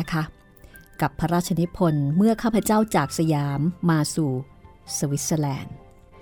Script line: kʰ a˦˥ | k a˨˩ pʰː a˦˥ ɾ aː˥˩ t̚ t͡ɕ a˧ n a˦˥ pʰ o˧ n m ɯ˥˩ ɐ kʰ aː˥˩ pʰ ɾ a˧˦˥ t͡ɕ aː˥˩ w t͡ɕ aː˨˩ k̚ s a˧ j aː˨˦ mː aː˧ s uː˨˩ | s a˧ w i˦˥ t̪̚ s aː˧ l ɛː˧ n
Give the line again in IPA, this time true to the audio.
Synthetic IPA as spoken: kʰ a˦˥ | k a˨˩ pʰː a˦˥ ɾ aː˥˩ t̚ t͡ɕʰ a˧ n i˦˥ pʰ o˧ n m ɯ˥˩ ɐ kʰ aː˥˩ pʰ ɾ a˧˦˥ t͡ɕ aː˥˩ w t͡ɕ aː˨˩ k̚ s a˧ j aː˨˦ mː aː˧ s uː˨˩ | s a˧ w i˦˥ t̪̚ s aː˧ l ɛː˧ n